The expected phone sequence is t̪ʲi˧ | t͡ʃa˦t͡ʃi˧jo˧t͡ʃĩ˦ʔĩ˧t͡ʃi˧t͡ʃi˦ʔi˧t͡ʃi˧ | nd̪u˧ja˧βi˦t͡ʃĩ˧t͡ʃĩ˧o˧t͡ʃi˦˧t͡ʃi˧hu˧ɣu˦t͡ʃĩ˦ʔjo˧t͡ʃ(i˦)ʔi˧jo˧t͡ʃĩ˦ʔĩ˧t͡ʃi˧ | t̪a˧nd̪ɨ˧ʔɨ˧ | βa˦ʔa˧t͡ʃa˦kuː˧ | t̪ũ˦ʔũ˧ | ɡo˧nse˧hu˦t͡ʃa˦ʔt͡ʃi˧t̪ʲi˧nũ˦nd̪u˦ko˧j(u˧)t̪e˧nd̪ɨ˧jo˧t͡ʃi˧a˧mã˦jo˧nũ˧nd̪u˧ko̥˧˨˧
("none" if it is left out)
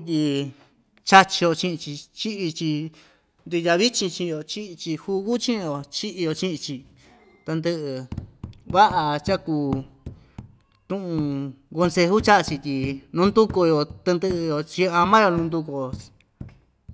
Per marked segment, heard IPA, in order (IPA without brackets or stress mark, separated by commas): i˦, o˧